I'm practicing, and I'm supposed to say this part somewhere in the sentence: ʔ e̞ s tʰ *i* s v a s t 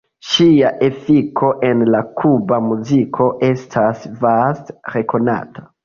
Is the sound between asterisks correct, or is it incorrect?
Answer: incorrect